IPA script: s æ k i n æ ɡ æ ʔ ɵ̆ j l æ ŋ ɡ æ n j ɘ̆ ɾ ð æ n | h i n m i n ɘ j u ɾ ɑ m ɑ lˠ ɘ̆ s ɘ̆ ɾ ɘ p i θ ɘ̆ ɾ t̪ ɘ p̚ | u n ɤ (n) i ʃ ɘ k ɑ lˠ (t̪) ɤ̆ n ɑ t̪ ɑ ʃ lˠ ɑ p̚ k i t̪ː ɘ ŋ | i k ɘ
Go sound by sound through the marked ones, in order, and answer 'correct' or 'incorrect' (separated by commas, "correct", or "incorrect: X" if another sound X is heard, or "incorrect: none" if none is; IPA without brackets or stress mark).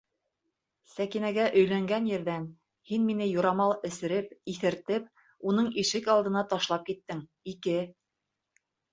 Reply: incorrect: ɴ, incorrect: d̪